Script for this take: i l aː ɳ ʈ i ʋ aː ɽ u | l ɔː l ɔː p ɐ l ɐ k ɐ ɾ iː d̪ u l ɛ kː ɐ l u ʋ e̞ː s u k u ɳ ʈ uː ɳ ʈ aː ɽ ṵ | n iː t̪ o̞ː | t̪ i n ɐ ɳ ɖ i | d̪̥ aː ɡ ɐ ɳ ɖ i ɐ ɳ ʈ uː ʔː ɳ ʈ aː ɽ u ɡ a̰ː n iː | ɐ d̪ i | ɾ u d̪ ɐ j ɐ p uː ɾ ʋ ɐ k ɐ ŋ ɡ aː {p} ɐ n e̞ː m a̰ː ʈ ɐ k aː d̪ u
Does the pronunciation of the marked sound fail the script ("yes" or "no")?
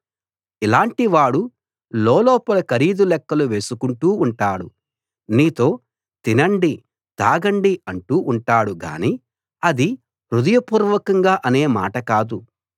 yes